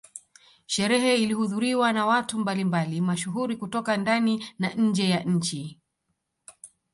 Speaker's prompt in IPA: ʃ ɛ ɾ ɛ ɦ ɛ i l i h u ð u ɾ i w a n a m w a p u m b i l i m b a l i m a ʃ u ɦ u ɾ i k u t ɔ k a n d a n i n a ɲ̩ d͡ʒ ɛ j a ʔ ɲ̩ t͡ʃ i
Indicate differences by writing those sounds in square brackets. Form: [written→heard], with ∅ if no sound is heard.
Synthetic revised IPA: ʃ ɛ ɾ ɛ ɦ ɛ i l i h u ð u ɾ i w a n a [m→∅] w a [p→t] u m b [i→a] l i m b a l i m a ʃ u ɦ u ɾ i k u t ɔ k a n d a n i n a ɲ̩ d͡ʒ ɛ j a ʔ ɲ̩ t͡ʃ i